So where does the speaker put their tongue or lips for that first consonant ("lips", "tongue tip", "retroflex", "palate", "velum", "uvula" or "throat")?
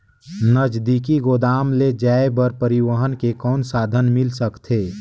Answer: tongue tip